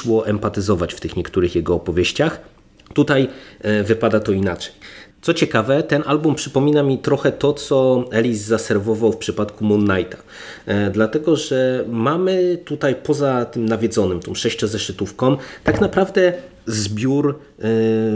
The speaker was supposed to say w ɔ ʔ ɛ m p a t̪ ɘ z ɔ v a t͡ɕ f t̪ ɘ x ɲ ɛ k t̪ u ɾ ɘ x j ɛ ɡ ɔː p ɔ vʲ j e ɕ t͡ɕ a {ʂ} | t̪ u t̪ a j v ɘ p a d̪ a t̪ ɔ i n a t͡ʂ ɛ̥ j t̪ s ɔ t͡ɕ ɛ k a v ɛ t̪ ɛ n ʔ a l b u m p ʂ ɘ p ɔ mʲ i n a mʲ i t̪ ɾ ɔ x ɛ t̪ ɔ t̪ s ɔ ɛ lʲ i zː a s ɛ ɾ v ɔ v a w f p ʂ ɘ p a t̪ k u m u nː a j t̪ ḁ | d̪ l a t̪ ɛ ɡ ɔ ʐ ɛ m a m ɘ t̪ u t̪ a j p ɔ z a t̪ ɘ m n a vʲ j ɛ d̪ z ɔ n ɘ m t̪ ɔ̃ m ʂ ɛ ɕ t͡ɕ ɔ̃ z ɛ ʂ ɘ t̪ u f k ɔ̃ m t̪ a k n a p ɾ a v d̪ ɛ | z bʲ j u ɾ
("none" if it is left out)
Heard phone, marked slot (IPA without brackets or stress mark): x